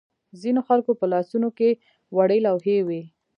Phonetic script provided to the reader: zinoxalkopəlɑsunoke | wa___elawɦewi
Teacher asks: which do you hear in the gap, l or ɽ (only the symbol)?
ɽ